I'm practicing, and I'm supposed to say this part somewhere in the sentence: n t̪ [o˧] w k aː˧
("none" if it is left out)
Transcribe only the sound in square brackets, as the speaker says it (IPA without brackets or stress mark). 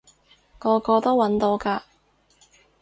o˧